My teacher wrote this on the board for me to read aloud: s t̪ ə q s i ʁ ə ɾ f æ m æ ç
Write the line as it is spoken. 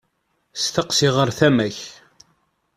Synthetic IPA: s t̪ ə q s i ʁ ə ɾ θ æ m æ ç